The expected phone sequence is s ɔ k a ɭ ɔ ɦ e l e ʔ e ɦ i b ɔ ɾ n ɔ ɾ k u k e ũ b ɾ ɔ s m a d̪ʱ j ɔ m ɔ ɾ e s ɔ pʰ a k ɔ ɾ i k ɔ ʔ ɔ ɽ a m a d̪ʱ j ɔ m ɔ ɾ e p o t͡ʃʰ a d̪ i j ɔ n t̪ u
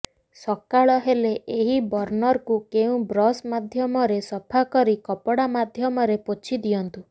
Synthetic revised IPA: s ɔ k a ɭ ɔ ɦ e l e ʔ e ɦ i b ɔ ɾ n ɔ ɾ k u k e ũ b ɾ ɔ s m a d̪ʱ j ɔ m ɔ ɾ e s ɔ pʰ a k ɔ ɾ i k ɔ p ɔ ɽ a m a d̪ʱ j ɔ m ɔ ɾ e p o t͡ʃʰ i d̪ i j ɔ n t̪ u